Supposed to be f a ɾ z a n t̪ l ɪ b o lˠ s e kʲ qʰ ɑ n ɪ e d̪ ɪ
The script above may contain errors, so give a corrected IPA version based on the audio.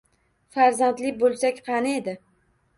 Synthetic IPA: f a ɾ z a n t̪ l ɪ b o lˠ s a kʲ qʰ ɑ n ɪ e d̪ ɪ